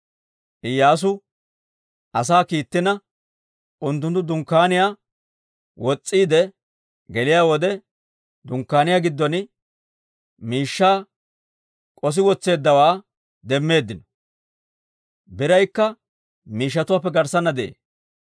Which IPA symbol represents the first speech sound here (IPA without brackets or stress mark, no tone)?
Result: ʔ